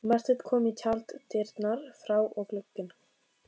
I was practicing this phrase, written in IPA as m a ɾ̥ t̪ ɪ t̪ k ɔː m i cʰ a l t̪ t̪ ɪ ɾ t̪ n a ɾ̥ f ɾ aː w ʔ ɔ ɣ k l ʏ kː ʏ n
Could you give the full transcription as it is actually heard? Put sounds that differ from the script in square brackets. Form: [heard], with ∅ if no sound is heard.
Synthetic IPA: m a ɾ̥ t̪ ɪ t̪ [kʰ] ɔː m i cʰ a l t̪ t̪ ɪ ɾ t̪ n a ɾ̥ f ɾ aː w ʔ ɔ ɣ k l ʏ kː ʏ n